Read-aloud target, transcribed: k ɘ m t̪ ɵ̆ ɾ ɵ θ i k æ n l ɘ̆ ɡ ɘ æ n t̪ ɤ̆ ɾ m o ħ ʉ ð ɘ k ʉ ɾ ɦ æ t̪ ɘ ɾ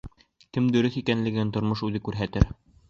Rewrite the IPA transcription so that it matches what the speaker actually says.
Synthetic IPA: k ɘ m d̪ ɵ̆ ɾ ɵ θ i k æ n l ɘ̆ ɡ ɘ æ n t̪ ŏ ɾ m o ʃ ʉ ð ɘ k ʉ ɾ ɦ æ t̪ ɘ ɾ

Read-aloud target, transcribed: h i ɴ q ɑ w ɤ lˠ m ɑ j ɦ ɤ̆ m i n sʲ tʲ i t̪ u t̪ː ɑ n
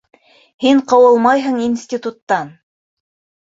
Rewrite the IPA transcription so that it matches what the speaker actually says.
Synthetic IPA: h i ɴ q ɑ w ɤ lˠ m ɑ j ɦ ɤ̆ ɴ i n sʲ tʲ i t̪ u t̪ː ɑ n

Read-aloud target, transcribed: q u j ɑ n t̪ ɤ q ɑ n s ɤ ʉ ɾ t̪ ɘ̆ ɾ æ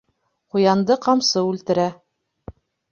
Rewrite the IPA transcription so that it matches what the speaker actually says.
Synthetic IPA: q u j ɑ n d̪ ɤ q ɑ m s ɤ ʉ l t̪ ɘ̆ ɾ æ

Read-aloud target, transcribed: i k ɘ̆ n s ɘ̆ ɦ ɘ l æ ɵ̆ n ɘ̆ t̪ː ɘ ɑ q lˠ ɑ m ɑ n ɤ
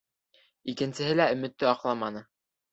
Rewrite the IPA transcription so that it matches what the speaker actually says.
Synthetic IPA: i k ɘ̆ n s ɘ̆ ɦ ɘ l æ ɵ̆ m ɘ̆ t̪ː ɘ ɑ q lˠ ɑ m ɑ n ɤ

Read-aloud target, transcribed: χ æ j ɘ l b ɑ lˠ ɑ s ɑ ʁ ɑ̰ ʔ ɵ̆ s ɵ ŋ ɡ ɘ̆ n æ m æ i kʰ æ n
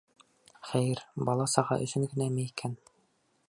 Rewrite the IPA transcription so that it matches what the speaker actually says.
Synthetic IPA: χ æ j ɘ ɾ b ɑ lˠ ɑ s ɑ ʁ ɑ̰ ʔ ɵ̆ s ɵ ŋ ɡ ɘ̆ n æ m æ i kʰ æ n

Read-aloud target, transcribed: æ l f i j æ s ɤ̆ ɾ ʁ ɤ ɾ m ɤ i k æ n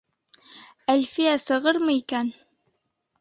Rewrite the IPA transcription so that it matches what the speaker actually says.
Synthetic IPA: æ l f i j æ s ɤ̆ ʁ ɤ ɾ m ɤ i k æ n

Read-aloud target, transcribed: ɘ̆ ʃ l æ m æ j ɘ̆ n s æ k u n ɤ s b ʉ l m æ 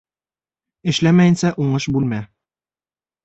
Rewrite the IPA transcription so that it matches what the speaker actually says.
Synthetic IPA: ɘ̆ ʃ l æ m æ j ɘ̆ n s æ ʔ u ɴ ɤ ʃ b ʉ l m æ

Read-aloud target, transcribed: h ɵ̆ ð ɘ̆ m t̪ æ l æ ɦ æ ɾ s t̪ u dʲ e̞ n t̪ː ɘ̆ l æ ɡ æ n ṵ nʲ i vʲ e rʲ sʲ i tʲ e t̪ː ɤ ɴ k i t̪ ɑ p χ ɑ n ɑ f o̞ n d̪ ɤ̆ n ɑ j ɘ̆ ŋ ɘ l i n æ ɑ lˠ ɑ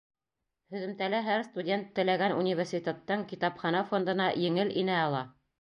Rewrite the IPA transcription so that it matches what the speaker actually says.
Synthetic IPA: h ɵ̆ ð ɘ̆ m t̪ æ l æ ɦ æ ɾ s t̪ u dʲ e̞ n t̪ː ɘ̆ l æ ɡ æ n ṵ nʲ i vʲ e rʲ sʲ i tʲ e t̪ː ɤ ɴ k i t̪ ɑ p χ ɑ n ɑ f o̞ n d̪ ɤ̆ n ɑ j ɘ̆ ŋ ɘ l i n æ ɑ lˠ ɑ

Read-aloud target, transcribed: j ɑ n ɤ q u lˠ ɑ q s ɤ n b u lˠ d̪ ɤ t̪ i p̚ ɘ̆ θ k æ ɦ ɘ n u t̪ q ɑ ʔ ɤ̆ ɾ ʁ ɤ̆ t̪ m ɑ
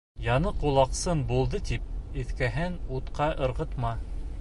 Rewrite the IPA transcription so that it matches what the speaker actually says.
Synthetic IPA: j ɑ n ɤ q u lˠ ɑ q s ɤ n b u lˠ d̪ ɤ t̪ i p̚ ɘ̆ θ k æ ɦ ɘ n u t̪ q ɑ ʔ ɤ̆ ɾ ʁ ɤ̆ t̪ m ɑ

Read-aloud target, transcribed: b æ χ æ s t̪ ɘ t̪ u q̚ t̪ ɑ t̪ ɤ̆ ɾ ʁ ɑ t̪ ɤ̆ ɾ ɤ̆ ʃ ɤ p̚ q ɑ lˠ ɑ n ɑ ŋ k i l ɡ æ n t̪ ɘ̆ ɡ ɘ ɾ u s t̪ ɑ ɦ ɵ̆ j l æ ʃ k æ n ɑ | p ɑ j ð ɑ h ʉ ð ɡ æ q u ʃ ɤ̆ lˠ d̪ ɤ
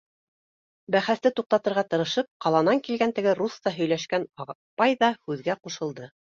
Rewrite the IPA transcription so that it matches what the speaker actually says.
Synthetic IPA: b æ χ æ s t̪ ɘ t̪ u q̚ t̪ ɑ t̪ ɤ̆ ɾ ʁ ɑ t̪ ɤ̆ ɾ ɤ̆ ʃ ɤ p̚ q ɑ lˠ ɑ n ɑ ŋ k i l ɡ æ n t̪ ɘ̆ ɡ ɘ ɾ u s t̪ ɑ ɦ ɵ̆ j l æ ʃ k æ n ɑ | p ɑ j ð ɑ h ʉ ð ɡ æ q u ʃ ɤ̆ lˠ d̪ ɤ

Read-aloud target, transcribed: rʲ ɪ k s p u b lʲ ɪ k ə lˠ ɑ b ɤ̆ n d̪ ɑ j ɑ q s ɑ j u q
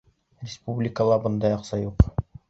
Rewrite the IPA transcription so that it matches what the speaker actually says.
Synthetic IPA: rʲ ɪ s p u b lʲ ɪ k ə lˠ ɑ b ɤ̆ n d̪ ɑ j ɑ q s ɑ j u q

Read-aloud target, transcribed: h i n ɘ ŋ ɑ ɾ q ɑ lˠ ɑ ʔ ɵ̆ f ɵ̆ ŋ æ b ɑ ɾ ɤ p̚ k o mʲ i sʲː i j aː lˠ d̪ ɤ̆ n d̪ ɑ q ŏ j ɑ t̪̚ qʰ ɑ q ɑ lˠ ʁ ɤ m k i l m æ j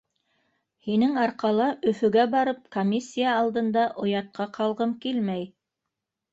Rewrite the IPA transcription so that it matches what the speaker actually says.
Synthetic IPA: h i n ɘ ŋ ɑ ɾ q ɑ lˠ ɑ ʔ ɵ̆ f ɵ̆ ɡ æ b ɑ ɾ ɤ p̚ k o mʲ i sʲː i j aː lˠ d̪ ɤ̆ n d̪ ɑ ʔ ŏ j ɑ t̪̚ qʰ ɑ q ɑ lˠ ʁ ɤ m k i l m æ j

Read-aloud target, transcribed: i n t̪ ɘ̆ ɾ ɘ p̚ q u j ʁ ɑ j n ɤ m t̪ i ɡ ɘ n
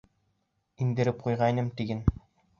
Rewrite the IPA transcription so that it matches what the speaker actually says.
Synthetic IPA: i n d̪ ɘ̆ ɾ ɘ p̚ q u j ʁ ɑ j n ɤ m t̪ i ɡ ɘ n

